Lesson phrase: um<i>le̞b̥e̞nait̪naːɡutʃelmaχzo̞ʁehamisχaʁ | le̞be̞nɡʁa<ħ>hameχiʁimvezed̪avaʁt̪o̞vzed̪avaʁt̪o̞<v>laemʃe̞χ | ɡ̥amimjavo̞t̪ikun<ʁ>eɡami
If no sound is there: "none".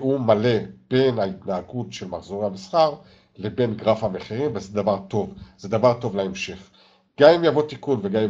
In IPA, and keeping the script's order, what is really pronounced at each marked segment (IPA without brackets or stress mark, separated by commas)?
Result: a, f, v, v